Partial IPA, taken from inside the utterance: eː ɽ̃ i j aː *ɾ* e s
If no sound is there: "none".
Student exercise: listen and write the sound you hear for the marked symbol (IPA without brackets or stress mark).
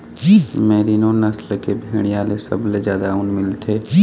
l